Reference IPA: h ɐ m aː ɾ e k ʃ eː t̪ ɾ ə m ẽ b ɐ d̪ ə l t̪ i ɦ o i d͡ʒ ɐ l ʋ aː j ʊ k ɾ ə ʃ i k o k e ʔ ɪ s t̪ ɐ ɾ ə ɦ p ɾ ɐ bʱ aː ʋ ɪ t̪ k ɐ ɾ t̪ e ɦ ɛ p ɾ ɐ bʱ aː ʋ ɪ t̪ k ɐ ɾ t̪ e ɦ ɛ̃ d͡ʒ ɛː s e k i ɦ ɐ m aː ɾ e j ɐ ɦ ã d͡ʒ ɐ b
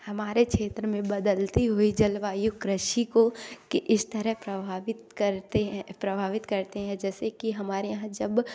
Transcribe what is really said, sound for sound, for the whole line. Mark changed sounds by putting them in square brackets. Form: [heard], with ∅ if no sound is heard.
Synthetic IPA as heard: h ɐ m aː ɾ e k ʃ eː t̪ ɾ ə m ẽ b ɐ d̪ ə l t̪ i ɦ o i d͡ʒ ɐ l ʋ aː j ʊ k ɾ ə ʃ i k o k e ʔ ɪ s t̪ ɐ ɾ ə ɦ p ɾ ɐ bʱ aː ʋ ɪ t̪ k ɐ ɾ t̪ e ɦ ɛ p ɾ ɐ bʱ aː ʋ ɪ t̪ k ɐ ɾ t̪ e ɦ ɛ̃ d͡ʒ ɛː s e k i ɦ ɐ m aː ɾ e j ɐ ɦ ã d͡ʒ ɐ b